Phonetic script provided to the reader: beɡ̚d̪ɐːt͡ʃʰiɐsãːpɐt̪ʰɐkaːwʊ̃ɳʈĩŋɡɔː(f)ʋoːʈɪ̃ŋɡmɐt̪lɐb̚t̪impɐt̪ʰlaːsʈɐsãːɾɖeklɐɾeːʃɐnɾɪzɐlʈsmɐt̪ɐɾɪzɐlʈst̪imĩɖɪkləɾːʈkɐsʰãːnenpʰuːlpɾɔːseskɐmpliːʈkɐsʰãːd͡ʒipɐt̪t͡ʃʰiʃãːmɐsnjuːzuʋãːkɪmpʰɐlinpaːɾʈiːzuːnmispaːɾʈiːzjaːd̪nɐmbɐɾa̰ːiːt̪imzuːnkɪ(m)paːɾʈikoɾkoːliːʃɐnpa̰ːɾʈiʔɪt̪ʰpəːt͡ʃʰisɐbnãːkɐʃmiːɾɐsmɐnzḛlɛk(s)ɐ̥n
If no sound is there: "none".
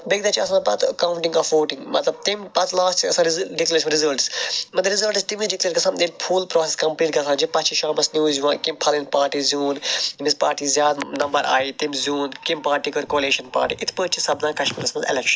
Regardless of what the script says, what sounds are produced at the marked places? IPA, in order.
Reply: f, m, ʃ

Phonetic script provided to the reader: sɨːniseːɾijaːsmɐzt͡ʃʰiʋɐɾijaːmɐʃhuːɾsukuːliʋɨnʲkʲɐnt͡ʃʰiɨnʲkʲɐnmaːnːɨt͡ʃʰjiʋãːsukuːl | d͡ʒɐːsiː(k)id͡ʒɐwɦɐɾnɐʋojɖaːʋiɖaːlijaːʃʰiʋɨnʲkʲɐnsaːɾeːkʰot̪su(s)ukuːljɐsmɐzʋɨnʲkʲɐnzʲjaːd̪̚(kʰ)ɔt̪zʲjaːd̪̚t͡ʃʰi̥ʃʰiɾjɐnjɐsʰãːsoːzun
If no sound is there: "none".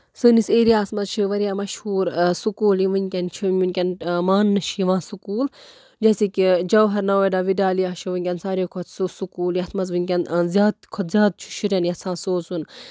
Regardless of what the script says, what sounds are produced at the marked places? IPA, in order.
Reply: k, s, kʰ

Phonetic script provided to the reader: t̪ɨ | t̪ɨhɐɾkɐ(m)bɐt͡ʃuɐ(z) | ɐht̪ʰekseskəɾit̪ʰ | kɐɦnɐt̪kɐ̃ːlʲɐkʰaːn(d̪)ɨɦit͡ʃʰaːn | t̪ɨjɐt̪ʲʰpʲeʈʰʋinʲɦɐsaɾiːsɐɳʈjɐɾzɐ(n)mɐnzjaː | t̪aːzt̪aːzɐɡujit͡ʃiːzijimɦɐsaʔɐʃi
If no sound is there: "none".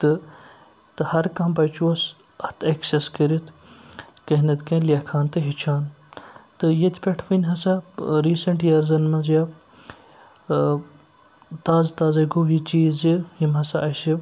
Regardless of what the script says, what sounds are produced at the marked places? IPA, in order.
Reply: m, s, t̪, n

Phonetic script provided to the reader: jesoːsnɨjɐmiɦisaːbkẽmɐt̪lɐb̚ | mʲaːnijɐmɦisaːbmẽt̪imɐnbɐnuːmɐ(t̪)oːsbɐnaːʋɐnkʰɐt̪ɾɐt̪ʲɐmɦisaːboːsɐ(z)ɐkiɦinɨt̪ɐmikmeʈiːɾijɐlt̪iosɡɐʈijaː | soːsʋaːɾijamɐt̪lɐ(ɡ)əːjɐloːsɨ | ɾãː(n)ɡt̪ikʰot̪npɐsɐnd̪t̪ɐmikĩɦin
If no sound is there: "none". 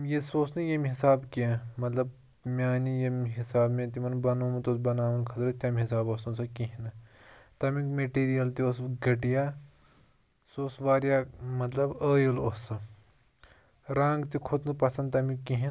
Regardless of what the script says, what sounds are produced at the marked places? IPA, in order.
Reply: t̪, s, b, ŋ

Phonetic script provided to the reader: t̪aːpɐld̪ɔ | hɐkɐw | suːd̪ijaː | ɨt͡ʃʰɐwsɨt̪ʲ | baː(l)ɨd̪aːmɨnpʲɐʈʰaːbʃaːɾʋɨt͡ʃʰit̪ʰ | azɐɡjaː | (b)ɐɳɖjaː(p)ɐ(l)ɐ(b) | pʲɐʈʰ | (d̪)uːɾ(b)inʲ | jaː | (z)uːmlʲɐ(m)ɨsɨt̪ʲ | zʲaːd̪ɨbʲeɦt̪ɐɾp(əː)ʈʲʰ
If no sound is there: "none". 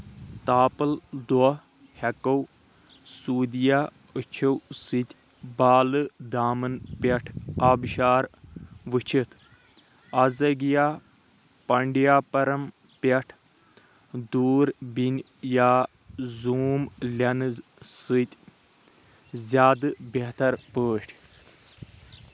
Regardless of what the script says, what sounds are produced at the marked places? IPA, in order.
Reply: l, p, p, ɾ, m, d̪, b, z, n, əː

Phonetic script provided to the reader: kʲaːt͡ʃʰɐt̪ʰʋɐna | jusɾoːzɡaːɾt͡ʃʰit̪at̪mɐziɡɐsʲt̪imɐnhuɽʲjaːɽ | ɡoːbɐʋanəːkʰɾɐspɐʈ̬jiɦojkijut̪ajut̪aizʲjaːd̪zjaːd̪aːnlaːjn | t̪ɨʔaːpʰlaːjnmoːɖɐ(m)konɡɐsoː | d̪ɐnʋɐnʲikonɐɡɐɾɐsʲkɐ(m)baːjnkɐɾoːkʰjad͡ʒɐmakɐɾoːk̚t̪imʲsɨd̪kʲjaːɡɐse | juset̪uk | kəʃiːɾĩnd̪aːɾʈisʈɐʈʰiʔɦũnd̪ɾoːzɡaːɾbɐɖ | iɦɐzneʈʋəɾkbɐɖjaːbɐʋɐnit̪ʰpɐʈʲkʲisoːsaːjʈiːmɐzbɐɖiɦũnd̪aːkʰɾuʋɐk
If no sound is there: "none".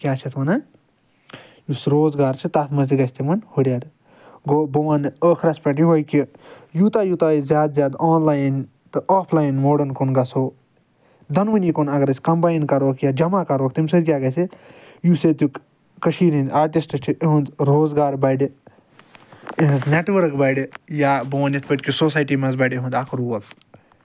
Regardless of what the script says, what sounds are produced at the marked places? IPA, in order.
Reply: n, m

